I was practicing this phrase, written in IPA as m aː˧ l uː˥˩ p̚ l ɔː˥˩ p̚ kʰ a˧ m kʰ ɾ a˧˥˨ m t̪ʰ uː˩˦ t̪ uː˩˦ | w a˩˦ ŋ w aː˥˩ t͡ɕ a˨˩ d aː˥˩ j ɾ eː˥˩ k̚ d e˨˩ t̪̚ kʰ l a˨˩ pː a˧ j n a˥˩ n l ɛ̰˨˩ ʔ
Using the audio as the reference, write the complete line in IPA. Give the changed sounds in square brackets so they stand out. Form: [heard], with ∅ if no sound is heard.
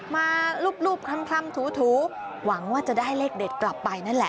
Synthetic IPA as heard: m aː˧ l uː˥˩ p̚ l [uː˥˩] p̚ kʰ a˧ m kʰ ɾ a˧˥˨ m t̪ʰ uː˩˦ [t̪ʰ] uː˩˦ | w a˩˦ ŋ w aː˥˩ t͡ɕ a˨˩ d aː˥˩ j [l] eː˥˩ k̚ d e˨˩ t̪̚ [k] l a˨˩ pː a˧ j n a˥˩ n l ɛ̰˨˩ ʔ